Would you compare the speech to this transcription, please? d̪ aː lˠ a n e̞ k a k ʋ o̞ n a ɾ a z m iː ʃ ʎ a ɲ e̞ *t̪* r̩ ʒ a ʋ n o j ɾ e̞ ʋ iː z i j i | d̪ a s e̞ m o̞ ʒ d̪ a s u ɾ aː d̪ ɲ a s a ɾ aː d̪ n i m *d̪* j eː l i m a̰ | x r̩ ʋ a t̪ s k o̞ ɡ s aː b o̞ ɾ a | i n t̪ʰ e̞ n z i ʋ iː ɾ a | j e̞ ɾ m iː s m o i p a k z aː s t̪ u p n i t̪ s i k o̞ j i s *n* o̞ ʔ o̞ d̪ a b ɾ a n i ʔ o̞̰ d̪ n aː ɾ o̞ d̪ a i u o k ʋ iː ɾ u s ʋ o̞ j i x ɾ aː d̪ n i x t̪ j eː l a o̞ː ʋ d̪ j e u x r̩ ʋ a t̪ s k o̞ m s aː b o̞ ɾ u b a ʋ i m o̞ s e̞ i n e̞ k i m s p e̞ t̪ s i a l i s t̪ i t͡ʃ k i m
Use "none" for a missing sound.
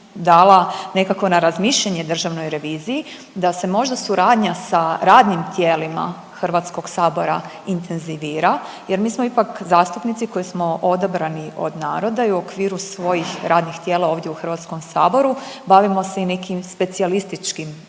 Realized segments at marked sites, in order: d̪, t̪, m

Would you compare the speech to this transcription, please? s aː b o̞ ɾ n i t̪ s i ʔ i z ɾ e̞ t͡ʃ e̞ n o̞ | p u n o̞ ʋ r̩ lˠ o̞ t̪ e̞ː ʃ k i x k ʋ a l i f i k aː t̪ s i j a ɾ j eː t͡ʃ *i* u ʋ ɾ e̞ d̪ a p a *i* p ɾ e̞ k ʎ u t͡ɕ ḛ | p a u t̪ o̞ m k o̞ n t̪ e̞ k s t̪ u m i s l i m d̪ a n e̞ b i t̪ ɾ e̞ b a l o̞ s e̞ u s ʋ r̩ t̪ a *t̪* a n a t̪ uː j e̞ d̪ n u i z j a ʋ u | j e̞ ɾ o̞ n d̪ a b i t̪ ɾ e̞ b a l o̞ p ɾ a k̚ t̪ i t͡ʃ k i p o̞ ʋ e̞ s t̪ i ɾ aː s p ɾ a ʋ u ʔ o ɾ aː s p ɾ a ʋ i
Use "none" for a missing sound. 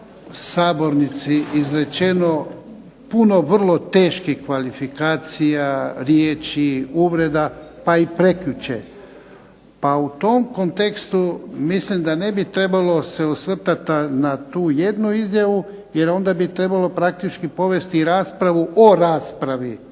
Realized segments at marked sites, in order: i, i, t̪

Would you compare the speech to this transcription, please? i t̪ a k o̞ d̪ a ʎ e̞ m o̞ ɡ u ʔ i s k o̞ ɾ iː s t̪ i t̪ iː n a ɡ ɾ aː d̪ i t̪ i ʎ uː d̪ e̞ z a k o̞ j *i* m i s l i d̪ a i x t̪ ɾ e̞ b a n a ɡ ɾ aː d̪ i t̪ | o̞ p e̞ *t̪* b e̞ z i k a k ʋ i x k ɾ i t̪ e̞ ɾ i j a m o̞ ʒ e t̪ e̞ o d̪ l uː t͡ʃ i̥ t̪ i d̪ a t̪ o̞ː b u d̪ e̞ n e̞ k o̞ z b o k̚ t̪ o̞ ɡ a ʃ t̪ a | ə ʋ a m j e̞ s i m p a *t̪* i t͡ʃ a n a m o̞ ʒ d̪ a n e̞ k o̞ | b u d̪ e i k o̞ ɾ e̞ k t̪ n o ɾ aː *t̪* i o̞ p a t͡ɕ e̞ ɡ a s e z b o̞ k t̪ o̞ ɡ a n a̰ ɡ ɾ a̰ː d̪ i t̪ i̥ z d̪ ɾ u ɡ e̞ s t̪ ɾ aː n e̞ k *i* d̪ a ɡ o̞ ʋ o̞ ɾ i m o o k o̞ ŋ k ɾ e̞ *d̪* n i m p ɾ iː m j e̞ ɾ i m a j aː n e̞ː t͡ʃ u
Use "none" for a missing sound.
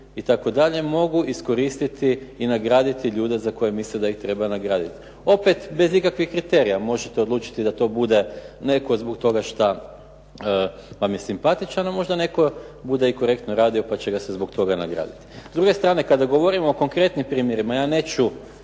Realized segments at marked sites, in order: e, t̪, t̪, d̪, a, t̪

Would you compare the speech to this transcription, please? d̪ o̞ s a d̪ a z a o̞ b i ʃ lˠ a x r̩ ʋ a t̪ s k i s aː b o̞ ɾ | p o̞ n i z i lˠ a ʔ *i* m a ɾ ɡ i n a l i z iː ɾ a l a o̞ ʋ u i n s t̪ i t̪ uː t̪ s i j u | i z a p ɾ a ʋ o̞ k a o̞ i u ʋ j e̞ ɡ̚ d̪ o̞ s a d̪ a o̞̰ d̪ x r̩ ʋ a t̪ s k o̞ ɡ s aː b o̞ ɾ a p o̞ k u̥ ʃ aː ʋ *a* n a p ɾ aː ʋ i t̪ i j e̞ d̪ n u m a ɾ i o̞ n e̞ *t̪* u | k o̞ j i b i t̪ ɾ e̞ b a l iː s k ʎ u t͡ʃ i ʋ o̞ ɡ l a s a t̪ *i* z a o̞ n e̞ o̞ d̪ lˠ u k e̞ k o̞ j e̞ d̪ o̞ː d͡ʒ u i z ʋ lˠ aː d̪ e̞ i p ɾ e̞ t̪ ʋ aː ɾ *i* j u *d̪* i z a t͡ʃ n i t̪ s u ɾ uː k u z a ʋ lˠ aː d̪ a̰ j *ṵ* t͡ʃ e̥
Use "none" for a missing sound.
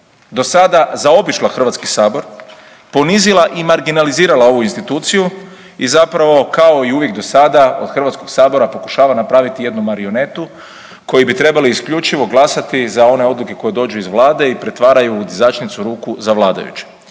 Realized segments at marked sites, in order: i, a, t̪, i, a, d̪, ṵ

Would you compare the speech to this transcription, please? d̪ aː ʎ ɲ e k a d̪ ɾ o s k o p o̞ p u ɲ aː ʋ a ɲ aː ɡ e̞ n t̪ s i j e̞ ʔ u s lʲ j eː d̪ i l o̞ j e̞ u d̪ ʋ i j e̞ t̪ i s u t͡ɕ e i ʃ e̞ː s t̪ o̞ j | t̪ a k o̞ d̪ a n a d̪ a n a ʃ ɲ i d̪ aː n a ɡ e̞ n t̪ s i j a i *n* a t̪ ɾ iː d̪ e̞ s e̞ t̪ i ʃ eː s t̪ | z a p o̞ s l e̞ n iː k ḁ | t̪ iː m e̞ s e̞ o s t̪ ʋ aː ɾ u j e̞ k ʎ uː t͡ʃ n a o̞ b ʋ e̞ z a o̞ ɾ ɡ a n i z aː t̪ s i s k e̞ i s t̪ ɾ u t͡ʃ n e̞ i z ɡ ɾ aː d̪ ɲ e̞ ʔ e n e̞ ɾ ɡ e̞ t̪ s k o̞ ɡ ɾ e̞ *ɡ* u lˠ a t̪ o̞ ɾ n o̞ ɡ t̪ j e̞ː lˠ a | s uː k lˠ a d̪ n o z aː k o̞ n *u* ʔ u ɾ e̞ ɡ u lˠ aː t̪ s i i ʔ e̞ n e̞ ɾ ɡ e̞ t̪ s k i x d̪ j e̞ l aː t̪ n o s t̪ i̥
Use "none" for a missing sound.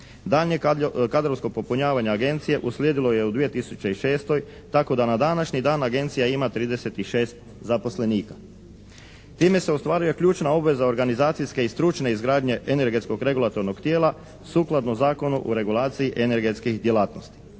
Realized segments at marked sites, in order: m, ɡ, u

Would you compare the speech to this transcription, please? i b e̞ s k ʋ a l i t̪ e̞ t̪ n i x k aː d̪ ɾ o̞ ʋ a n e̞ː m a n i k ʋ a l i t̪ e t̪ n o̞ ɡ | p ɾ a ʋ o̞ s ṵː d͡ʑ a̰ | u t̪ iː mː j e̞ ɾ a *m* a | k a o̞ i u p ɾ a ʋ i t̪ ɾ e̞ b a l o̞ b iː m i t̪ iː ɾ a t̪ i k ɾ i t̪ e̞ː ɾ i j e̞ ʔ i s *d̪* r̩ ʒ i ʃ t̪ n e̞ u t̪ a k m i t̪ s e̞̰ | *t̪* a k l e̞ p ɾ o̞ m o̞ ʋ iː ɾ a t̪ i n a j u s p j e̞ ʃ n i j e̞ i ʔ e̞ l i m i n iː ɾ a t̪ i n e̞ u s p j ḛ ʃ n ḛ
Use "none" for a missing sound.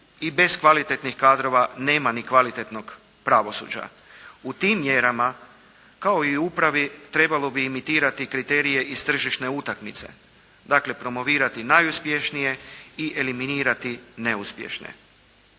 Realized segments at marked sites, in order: m, t̪, d̪

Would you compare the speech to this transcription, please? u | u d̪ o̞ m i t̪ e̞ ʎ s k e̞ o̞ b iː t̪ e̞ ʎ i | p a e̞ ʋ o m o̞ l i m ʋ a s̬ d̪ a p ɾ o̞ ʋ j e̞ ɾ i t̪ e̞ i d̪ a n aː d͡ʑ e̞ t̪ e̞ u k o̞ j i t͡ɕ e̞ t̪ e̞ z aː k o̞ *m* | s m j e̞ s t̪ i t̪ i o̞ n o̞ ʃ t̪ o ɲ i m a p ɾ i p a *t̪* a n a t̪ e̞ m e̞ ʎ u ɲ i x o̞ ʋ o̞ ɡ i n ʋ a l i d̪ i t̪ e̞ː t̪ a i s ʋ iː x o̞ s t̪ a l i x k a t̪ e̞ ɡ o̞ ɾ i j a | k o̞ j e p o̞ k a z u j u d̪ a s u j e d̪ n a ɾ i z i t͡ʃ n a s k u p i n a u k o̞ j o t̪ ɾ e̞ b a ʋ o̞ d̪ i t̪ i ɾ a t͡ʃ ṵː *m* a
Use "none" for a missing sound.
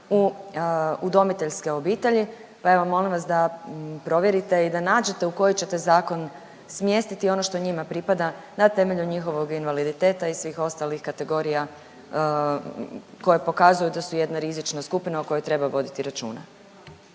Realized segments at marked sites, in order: n, d̪, n

